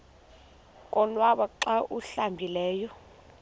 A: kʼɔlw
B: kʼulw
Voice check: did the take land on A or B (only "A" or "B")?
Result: A